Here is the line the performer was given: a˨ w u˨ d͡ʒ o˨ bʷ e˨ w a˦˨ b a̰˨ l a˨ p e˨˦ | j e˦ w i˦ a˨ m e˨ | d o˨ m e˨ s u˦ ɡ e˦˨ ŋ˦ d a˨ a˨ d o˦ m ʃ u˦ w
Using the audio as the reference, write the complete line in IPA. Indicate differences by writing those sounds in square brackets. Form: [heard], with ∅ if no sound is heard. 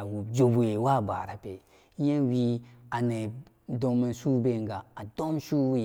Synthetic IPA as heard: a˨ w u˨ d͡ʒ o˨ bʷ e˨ w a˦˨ b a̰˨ [ɾ] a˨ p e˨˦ | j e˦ w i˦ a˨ [n] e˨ | d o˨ m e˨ s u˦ [b] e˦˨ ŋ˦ [ɡ] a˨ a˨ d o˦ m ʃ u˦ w